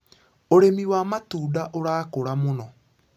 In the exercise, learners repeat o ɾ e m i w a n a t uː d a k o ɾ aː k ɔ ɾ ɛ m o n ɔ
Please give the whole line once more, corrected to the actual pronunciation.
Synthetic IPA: o ɾ e m i w a m a t uː d a ʔ o ɾ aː k o ɾ a m o n ɔ